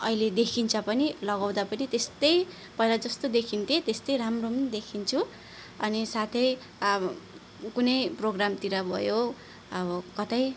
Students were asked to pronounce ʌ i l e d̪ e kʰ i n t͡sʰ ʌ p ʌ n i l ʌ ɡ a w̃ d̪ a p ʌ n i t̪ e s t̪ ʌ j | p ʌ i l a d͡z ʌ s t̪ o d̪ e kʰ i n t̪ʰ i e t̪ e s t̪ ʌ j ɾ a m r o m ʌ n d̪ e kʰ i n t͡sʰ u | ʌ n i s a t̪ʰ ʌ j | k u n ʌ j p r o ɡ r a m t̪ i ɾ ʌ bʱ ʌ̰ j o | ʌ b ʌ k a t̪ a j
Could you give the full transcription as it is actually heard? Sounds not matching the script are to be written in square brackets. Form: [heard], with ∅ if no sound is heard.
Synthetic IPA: ʌ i l e d̪ e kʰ i n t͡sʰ ʌ p ʌ n i l ʌ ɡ a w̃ d̪ a p ʌ n i t̪ e s t̪ ʌ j | p ʌ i l a d͡z ʌ s t̪ o d̪ e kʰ i n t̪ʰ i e t̪ e s t̪ ʌ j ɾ a m r o m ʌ n d̪ e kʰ i n t͡sʰ u | ʌ n i s a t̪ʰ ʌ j | k u n ʌ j p r o ɡ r a m t̪ i ɾ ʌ bʱ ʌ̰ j o | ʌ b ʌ k [ʌ] t̪ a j